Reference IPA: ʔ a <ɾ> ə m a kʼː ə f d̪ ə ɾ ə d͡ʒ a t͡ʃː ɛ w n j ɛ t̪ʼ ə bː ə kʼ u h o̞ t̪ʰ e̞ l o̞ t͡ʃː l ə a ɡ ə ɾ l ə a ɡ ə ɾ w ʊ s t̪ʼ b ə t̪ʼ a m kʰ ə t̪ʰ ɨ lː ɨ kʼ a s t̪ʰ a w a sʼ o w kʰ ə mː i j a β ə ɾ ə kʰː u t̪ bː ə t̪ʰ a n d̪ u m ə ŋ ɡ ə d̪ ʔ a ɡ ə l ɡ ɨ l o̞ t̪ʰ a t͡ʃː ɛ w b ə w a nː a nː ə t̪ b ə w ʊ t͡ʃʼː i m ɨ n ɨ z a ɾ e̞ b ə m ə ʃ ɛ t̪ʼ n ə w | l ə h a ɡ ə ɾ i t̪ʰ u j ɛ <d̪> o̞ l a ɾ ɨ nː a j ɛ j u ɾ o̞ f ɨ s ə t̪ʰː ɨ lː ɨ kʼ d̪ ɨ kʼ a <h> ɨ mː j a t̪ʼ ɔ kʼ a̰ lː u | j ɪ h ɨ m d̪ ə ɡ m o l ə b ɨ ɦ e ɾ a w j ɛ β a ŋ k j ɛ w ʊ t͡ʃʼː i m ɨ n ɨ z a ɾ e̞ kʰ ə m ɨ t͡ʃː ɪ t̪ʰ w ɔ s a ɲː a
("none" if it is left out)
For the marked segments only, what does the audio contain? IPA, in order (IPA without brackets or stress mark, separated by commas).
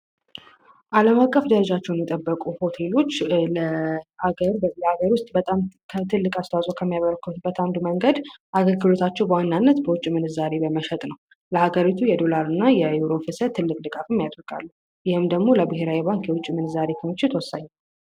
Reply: l, d̪, f